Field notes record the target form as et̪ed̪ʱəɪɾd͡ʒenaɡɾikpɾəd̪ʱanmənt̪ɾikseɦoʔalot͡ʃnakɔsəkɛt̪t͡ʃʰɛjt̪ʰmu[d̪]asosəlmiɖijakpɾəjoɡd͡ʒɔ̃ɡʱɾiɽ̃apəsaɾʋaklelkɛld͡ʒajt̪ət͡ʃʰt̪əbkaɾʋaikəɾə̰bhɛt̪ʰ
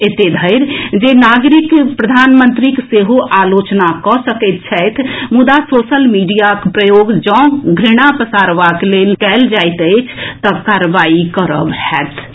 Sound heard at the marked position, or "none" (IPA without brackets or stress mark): d̪